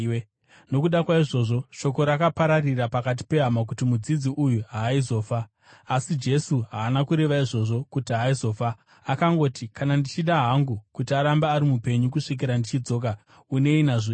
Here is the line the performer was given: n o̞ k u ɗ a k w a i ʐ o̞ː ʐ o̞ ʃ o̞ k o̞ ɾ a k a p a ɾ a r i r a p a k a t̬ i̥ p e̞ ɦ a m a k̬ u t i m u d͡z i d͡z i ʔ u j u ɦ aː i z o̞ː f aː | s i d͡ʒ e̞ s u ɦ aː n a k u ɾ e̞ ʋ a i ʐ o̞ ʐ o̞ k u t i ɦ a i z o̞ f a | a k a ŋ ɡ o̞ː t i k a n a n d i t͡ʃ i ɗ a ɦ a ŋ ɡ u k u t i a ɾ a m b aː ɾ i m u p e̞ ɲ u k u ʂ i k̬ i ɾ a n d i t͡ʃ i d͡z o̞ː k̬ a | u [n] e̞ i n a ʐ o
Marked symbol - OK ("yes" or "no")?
yes